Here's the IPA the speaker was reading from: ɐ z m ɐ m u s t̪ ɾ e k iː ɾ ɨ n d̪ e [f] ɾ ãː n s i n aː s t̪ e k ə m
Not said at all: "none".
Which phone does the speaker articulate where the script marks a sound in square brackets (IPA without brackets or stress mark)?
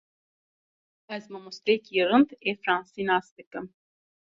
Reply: f